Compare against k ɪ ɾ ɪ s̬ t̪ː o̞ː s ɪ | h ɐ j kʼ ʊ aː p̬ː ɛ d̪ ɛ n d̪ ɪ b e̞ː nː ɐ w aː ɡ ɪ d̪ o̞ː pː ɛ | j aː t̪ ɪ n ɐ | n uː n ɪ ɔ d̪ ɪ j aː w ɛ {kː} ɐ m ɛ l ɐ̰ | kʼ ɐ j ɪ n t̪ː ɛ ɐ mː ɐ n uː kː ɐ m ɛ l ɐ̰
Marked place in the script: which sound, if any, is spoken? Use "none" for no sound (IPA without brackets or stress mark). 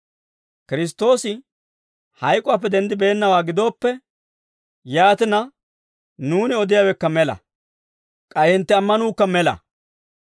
kː